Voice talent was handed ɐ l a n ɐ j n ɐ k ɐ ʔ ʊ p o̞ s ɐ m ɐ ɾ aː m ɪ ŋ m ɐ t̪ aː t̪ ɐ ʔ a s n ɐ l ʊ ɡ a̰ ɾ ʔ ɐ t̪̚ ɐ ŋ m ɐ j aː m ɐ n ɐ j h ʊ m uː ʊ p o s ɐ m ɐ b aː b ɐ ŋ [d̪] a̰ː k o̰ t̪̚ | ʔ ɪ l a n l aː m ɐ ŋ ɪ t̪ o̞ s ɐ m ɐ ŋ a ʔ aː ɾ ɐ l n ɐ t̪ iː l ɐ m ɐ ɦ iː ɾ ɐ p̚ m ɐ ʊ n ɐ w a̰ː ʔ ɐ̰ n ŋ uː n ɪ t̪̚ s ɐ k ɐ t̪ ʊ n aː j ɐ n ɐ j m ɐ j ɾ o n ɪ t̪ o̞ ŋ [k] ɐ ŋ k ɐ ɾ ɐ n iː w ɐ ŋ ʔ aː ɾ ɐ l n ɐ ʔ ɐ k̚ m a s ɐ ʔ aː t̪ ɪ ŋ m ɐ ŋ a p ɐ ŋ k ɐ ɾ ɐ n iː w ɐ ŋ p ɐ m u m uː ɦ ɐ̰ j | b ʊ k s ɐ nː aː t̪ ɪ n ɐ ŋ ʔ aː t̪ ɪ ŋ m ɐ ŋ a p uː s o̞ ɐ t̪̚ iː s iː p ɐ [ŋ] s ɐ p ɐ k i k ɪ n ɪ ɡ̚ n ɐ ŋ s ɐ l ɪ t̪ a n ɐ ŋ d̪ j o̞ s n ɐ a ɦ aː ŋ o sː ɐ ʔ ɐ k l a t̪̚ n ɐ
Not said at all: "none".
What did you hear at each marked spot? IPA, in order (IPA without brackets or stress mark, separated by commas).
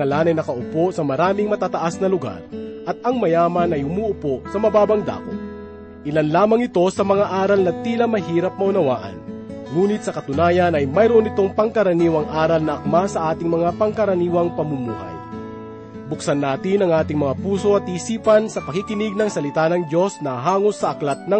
d̪, p, n